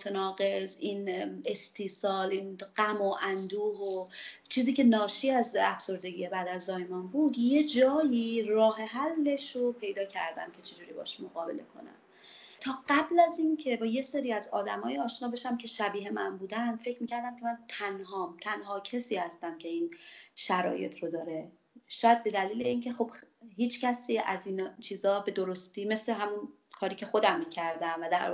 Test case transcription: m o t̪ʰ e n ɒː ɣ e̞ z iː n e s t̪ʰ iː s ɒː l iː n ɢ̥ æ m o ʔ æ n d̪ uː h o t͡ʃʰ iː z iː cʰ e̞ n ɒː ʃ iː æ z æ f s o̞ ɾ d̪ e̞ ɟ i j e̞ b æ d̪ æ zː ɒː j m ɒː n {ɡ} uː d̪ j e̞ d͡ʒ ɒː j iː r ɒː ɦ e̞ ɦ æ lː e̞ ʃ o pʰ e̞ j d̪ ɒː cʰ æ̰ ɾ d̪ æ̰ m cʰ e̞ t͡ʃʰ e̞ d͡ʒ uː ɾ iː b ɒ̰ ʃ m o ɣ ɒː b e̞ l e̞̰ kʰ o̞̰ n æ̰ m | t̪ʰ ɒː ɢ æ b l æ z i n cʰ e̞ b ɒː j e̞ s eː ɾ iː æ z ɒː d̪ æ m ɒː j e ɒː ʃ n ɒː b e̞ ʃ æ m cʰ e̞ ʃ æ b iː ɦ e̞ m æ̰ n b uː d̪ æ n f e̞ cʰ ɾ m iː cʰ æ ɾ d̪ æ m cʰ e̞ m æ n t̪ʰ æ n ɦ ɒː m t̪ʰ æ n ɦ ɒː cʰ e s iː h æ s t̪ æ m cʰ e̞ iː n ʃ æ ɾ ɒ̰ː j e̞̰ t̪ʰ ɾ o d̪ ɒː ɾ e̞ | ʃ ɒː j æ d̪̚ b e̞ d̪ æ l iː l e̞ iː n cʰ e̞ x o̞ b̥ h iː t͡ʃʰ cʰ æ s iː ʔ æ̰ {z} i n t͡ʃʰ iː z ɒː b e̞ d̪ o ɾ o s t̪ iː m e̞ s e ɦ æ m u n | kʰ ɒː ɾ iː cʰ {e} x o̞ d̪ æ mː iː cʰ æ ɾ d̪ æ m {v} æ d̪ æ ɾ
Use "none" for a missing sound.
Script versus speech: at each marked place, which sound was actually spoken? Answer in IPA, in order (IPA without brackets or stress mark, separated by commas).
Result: b, z, e, v